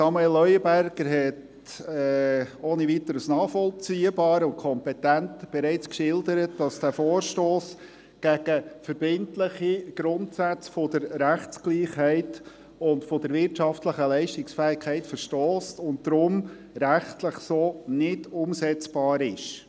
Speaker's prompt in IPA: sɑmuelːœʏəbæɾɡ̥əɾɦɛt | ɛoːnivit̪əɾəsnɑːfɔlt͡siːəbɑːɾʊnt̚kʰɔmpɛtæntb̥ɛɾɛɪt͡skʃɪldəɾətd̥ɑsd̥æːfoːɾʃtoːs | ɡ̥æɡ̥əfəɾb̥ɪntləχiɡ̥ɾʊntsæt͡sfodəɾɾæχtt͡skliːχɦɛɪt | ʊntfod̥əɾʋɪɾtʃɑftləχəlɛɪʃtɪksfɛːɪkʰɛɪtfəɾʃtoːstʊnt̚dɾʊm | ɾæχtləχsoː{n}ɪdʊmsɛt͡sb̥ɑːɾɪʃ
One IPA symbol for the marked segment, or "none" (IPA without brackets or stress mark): n